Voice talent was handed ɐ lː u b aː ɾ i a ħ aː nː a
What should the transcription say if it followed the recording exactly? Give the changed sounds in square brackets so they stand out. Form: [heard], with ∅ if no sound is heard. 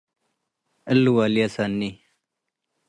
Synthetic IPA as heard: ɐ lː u [w] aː [l] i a [s] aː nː [i]